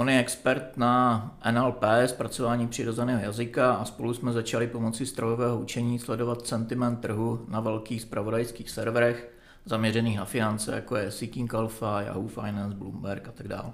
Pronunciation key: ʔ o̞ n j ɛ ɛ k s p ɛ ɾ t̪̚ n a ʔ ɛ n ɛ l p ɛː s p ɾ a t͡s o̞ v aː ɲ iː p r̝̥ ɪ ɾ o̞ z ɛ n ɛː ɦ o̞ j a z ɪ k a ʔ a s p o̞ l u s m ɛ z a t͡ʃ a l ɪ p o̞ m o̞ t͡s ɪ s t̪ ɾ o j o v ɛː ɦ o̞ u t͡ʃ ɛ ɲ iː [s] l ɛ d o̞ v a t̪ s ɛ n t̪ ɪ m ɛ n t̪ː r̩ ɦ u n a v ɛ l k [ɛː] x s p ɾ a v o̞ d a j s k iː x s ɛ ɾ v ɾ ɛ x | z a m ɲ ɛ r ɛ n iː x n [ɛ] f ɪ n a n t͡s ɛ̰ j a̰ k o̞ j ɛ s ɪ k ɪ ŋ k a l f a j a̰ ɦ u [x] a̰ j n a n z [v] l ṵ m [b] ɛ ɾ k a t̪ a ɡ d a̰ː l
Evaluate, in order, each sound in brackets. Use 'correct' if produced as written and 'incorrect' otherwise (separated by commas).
correct, incorrect, incorrect, incorrect, incorrect, correct